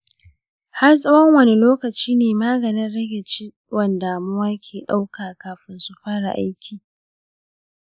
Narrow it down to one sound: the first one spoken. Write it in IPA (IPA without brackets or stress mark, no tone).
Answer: h